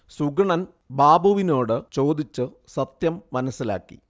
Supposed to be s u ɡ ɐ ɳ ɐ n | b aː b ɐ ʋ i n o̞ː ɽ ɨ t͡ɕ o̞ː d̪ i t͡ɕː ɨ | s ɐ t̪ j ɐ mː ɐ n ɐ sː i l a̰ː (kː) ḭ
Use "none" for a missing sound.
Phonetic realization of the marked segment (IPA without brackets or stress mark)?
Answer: kː